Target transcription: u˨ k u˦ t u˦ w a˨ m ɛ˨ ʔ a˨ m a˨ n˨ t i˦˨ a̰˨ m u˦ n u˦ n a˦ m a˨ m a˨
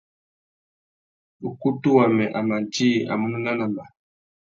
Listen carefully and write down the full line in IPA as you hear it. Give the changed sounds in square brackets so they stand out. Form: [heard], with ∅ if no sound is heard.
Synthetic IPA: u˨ k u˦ t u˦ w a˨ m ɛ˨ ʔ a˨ m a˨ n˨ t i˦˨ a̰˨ m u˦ n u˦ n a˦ [n] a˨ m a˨